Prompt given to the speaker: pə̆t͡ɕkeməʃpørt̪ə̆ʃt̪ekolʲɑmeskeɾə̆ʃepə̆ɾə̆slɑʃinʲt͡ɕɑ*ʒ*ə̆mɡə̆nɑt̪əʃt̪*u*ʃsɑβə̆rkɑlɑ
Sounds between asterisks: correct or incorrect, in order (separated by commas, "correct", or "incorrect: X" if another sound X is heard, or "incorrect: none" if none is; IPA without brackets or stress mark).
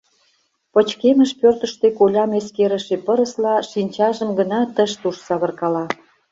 correct, correct